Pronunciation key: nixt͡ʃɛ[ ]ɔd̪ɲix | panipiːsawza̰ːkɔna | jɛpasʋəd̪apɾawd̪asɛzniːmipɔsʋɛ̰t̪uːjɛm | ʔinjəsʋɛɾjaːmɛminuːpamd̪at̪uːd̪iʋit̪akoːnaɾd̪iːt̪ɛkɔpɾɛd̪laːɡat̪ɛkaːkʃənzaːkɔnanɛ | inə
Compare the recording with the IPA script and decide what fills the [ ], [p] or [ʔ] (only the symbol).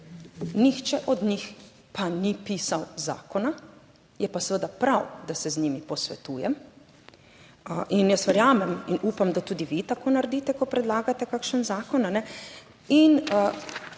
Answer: ʔ